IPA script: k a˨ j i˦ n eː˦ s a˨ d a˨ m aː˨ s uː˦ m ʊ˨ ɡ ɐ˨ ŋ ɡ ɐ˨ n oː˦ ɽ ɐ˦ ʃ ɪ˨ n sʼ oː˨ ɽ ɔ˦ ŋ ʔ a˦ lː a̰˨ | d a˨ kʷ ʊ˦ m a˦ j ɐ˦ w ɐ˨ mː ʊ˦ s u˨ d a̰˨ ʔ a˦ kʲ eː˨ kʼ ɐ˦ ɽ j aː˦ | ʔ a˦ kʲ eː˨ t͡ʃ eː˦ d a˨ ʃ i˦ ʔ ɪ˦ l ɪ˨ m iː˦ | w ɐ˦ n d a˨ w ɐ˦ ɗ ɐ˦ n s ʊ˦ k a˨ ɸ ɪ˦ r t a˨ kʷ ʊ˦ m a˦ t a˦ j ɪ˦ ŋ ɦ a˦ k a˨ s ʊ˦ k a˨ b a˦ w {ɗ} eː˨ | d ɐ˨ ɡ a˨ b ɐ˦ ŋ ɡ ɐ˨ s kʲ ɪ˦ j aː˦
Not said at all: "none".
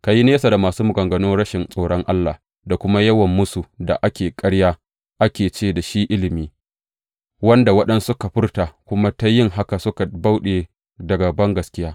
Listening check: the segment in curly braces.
ɗ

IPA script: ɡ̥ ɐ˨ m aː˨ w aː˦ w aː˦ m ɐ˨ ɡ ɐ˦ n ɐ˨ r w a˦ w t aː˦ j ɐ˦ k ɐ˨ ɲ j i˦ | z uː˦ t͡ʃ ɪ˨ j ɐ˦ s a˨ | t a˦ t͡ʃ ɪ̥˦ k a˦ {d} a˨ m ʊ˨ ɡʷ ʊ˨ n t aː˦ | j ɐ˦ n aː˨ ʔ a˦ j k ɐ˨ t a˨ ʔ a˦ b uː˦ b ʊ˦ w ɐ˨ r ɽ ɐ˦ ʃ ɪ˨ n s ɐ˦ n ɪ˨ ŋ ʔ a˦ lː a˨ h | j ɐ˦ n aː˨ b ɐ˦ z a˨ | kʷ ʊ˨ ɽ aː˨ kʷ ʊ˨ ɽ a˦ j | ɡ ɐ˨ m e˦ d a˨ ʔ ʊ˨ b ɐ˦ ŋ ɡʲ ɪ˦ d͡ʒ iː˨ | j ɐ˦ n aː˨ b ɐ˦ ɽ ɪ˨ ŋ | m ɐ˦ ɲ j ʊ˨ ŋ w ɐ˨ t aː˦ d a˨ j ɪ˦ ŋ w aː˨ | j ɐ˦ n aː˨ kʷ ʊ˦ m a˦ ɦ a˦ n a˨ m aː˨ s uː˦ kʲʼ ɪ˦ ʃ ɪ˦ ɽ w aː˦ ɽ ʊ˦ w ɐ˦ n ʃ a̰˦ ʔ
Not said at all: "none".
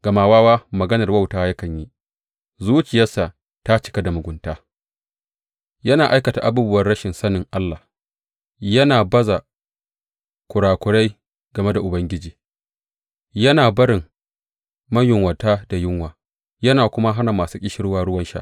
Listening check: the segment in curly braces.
d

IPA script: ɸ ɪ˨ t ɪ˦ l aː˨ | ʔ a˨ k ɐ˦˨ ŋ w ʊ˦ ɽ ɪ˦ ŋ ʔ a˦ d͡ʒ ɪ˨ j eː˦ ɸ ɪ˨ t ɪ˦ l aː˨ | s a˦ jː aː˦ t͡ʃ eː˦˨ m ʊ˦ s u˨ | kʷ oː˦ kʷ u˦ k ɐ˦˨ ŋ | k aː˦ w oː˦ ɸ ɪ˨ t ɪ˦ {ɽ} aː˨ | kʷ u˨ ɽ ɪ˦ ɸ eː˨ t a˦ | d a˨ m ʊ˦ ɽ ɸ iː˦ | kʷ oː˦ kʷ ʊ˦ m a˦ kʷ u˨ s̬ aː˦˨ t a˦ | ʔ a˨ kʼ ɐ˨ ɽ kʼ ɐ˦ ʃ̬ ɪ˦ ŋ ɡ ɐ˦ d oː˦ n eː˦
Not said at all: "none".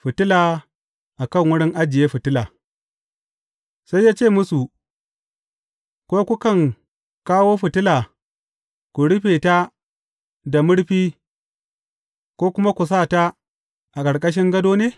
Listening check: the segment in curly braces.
l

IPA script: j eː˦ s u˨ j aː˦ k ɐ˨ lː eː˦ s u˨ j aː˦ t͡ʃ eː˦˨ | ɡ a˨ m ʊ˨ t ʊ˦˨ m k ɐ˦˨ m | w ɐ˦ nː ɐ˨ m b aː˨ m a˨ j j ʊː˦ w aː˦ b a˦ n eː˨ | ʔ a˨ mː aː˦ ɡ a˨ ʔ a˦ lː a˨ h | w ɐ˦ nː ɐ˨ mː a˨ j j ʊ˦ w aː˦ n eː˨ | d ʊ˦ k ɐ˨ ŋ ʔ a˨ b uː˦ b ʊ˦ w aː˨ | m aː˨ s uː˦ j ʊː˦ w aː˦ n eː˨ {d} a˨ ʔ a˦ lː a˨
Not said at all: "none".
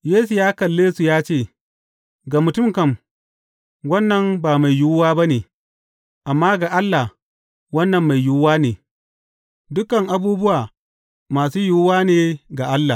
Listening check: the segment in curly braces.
ɡ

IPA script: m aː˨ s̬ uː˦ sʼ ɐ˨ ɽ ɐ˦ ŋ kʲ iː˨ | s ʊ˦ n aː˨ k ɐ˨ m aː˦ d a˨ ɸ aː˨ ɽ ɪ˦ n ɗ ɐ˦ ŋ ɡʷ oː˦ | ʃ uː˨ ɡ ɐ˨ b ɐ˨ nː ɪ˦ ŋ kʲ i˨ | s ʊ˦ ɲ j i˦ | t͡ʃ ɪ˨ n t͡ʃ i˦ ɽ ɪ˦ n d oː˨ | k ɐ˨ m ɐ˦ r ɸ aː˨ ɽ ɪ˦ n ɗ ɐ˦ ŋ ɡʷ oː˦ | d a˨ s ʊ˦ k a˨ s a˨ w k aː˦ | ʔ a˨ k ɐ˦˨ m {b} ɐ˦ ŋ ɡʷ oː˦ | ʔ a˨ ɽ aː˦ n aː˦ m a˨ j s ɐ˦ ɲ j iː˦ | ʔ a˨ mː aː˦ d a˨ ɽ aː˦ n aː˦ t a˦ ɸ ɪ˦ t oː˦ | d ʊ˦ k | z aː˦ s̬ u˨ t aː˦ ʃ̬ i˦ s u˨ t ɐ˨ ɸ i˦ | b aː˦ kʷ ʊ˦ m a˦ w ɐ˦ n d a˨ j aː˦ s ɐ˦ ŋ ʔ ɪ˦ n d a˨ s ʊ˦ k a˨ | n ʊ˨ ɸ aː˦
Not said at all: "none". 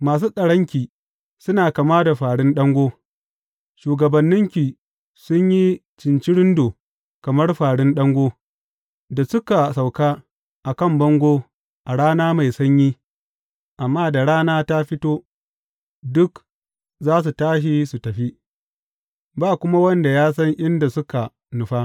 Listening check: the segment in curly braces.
b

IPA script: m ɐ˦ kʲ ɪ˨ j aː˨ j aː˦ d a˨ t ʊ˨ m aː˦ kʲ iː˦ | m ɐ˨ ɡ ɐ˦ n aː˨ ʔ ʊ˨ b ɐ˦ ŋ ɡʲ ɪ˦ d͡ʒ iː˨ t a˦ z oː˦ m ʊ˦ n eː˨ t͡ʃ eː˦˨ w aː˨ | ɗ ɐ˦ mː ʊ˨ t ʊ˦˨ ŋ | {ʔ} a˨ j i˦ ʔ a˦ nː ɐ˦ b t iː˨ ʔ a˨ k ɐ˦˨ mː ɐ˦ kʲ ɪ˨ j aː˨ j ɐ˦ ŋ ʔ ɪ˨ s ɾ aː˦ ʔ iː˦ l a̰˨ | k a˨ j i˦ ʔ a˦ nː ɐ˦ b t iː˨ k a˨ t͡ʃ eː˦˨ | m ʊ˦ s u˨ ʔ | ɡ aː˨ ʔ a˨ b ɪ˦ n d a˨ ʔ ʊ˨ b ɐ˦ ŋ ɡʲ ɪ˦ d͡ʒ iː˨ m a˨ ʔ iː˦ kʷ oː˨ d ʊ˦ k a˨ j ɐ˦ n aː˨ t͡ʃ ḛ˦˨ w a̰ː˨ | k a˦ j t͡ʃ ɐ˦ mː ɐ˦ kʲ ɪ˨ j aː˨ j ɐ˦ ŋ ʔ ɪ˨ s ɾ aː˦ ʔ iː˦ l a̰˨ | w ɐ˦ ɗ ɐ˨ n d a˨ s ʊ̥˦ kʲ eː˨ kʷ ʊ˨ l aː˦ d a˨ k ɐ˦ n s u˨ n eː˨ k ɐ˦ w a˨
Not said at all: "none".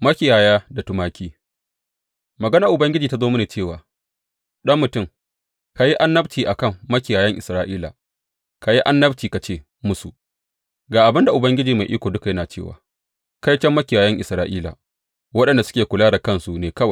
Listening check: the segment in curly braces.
k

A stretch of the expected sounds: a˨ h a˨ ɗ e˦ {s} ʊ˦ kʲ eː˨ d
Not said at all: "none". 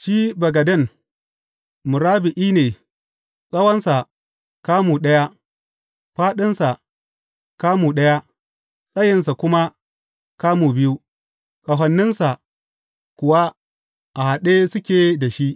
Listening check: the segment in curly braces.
s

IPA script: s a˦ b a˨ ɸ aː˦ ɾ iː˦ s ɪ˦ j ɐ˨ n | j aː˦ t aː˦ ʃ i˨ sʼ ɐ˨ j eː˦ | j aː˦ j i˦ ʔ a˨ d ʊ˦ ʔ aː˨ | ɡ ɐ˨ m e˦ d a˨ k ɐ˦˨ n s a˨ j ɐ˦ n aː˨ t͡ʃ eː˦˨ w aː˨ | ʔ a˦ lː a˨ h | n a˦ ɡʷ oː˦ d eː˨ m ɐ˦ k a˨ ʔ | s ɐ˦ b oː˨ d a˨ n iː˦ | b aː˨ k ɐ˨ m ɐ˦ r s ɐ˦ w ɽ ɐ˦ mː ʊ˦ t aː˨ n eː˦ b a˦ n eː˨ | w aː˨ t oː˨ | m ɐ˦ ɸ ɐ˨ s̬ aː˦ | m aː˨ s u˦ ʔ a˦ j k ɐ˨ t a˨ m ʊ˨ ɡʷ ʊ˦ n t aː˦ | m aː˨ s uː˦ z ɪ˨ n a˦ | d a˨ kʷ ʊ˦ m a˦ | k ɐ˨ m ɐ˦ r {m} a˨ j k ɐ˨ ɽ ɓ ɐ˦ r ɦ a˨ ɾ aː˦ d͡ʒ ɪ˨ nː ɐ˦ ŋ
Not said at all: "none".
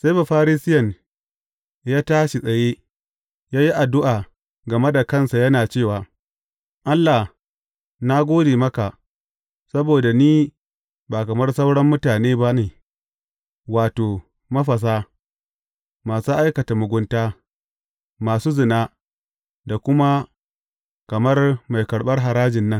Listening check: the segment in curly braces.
m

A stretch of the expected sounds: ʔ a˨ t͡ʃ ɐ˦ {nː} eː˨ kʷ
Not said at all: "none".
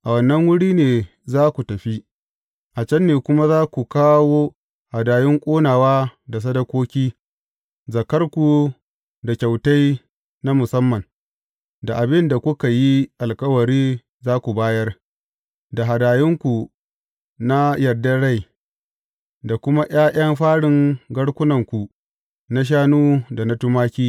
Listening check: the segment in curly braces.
nː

